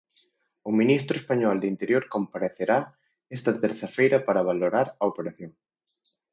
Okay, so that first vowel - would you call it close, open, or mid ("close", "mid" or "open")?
close